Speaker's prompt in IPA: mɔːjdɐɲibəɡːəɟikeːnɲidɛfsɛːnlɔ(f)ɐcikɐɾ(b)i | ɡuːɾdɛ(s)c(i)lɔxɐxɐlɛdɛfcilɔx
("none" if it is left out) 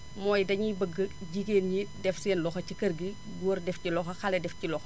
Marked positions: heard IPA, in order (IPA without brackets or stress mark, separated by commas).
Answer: x, ɡ, f, i